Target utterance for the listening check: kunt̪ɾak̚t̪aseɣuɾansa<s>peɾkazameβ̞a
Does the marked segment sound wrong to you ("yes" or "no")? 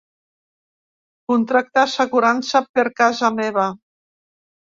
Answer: yes